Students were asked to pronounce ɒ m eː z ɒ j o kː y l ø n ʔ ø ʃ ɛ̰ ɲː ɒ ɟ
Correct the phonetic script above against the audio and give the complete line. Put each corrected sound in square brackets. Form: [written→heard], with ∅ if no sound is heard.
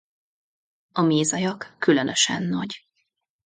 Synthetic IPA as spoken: ɒ m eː z ɒ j [o→ɒ] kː y l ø n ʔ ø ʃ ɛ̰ [ɲː→nː] ɒ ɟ